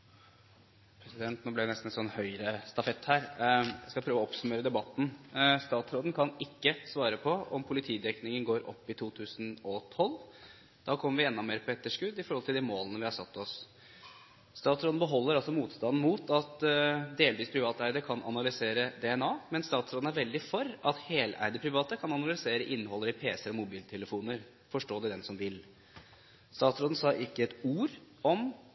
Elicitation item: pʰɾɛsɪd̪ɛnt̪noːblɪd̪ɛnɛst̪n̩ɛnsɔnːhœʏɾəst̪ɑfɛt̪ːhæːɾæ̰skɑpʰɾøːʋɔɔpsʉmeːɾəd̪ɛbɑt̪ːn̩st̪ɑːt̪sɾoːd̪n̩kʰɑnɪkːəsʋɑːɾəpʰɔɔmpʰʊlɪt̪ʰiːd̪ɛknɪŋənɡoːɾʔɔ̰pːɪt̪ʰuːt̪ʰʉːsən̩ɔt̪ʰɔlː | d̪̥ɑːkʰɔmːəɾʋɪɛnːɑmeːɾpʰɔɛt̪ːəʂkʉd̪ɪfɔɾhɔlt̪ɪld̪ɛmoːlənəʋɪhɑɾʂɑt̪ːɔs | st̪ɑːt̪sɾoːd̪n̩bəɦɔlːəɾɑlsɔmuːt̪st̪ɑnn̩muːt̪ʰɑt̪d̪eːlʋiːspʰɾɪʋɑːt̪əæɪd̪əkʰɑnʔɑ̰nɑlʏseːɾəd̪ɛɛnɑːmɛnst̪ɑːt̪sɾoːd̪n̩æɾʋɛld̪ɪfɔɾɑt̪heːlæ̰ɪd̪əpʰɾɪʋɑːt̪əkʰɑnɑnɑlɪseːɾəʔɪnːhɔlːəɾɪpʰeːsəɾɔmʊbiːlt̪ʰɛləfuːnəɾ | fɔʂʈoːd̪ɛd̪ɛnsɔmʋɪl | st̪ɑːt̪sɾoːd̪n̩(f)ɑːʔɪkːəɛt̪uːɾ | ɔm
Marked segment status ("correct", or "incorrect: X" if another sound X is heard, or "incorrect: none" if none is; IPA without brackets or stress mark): incorrect: s